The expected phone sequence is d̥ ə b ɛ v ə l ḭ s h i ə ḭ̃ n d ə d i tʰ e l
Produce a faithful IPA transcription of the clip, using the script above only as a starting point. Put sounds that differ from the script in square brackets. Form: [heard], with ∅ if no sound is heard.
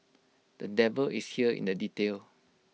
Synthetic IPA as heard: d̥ ə [d] ɛ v ə l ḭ s h i ə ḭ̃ n d ə d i [t] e l